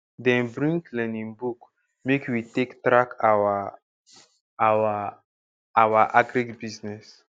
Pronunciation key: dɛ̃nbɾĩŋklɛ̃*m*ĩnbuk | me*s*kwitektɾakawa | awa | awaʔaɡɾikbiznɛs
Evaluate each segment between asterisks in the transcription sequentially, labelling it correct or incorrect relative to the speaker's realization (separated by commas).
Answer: incorrect, incorrect